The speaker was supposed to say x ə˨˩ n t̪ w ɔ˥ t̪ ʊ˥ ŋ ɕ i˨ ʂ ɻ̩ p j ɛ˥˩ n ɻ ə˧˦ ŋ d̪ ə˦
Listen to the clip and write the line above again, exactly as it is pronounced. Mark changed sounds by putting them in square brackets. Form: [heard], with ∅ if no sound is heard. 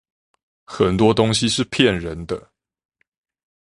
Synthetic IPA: x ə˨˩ n t̪ w ɔ˥ t̪ ʊ˥ ŋ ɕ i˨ ʂ ɻ̩ [pʰ] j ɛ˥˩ n ɻ ə˧˦ [n] d̪ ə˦